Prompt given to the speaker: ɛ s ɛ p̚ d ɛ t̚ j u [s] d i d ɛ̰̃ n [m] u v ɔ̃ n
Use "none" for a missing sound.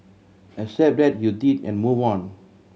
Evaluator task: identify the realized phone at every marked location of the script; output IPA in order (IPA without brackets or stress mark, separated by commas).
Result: none, m